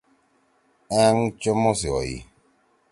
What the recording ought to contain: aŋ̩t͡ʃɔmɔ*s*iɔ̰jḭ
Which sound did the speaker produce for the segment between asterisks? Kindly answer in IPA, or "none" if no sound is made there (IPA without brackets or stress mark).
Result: s